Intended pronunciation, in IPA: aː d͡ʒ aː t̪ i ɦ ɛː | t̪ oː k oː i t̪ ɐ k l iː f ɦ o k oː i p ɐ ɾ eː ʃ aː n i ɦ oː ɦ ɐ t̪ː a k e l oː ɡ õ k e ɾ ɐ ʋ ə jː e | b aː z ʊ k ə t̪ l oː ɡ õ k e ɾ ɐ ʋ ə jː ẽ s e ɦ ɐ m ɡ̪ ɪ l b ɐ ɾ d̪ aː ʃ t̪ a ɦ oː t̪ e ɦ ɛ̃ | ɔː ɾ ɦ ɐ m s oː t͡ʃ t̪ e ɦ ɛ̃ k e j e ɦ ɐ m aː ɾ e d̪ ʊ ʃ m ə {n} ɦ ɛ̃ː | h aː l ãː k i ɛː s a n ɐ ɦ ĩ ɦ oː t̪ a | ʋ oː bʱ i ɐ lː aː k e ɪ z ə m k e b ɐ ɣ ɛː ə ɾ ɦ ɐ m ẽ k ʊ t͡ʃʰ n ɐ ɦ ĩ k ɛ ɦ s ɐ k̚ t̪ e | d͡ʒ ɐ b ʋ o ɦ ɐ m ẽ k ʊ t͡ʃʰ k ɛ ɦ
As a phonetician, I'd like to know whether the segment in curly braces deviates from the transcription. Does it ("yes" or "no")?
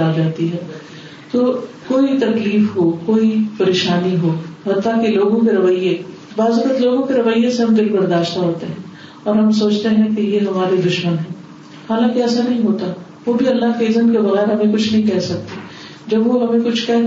no